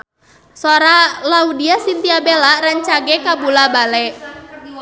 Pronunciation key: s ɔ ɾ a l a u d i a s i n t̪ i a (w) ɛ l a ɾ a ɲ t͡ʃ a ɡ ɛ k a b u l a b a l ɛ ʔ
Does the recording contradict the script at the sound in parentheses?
yes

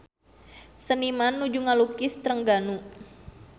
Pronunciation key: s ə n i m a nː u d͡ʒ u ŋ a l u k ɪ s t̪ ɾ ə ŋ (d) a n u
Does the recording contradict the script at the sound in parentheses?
yes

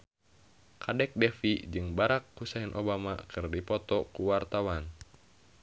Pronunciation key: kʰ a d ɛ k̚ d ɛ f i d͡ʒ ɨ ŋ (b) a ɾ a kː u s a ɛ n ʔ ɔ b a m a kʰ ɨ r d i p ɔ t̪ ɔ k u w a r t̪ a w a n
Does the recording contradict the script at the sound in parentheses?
no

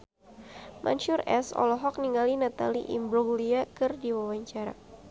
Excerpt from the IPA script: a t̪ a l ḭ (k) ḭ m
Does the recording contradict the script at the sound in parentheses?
yes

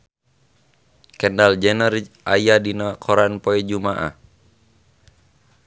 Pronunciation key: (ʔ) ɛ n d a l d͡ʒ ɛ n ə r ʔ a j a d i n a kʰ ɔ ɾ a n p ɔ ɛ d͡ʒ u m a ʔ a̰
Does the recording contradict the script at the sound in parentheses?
yes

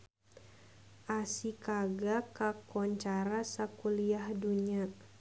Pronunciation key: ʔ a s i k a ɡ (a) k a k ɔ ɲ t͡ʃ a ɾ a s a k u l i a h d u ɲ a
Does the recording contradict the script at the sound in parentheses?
no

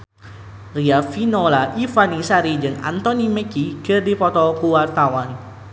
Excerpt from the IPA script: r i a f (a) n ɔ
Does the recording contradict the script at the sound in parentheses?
yes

